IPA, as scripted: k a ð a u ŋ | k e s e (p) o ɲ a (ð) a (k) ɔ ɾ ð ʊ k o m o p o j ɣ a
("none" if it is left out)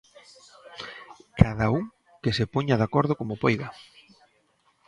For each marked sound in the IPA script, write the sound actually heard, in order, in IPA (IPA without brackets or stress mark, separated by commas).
p, ð, k